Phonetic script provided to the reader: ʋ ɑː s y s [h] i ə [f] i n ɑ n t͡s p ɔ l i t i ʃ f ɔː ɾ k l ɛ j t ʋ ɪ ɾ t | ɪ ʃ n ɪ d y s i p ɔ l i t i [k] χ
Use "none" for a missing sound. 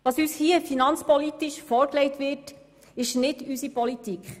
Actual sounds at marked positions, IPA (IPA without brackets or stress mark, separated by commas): h, f, k